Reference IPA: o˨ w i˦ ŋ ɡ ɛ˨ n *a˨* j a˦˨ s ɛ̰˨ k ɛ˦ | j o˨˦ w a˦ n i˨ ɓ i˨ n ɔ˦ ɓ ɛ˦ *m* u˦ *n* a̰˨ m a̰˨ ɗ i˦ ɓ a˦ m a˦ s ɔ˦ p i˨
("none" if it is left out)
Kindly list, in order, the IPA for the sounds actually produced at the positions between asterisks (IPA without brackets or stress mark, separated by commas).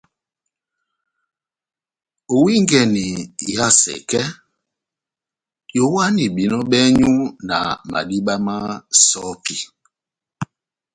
i˨, ɲ, n